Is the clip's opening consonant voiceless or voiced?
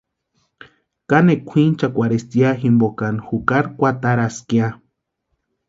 voiceless